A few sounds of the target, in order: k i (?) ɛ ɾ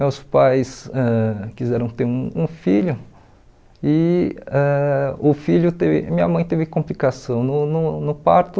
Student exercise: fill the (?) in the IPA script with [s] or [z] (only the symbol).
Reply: z